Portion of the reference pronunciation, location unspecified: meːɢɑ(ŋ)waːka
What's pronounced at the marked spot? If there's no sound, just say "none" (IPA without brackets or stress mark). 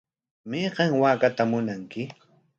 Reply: ŋ